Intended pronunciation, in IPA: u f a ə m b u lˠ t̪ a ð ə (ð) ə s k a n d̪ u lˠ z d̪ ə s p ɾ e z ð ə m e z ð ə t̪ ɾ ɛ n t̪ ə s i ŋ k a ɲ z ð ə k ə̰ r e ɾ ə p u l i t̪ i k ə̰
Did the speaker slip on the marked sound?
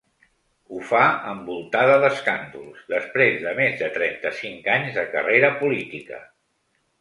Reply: no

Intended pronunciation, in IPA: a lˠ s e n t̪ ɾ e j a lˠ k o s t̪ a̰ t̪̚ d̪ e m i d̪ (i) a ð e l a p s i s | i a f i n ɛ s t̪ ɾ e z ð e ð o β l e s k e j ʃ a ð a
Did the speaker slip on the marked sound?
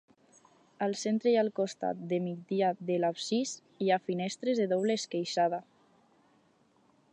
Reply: no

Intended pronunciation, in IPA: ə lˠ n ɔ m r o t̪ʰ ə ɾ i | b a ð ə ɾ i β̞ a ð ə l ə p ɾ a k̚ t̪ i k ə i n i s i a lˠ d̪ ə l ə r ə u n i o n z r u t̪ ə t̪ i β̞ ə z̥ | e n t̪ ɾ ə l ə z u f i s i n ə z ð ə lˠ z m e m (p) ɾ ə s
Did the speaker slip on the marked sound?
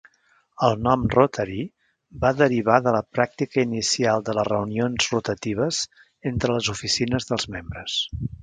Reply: yes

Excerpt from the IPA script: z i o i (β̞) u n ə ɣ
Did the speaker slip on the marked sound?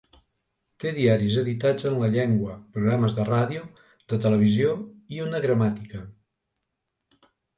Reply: yes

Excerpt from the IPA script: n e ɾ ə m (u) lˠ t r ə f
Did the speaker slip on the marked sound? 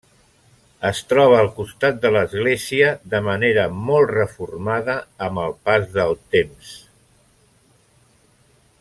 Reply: yes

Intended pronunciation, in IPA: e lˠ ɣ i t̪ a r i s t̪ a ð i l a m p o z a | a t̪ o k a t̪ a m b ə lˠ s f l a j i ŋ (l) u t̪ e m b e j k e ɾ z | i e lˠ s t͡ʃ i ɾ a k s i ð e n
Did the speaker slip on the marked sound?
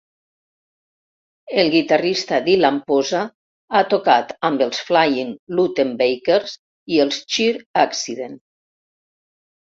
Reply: no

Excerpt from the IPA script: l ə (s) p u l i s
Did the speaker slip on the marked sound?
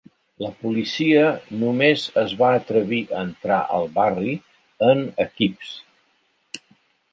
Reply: yes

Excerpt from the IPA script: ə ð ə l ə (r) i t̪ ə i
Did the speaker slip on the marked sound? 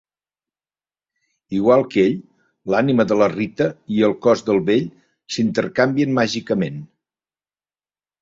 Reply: no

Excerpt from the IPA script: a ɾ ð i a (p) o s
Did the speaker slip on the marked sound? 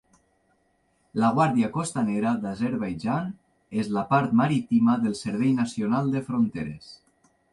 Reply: yes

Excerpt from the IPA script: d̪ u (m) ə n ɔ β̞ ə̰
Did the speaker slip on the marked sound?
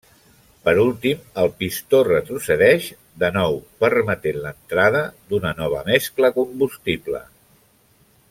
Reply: yes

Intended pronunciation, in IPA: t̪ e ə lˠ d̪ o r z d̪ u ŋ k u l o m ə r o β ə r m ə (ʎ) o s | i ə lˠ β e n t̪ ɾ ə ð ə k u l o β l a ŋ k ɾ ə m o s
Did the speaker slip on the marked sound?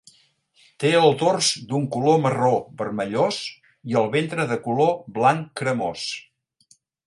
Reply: no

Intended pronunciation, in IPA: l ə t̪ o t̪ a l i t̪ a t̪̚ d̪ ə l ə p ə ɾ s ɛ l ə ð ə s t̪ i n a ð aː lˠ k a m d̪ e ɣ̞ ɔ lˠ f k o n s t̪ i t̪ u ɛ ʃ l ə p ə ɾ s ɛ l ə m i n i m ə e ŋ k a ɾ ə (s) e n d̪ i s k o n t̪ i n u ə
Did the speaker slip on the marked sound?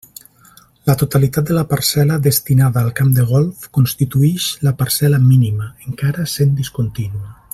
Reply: no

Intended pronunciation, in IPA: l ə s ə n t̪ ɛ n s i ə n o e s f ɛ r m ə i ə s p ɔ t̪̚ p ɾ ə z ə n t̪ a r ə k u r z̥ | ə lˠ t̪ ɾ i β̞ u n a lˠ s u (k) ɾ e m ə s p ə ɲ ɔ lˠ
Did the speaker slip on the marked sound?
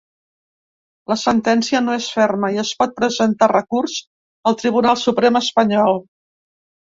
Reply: yes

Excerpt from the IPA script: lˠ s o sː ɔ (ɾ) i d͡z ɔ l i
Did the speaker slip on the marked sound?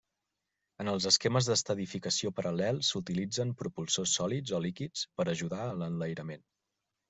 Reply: yes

